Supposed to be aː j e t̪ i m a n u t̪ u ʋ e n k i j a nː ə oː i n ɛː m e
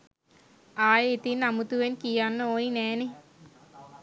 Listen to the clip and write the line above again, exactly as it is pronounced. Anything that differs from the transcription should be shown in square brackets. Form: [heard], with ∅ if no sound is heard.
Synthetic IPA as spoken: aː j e t̪ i [n] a [m] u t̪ u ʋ e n k i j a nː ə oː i n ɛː [n] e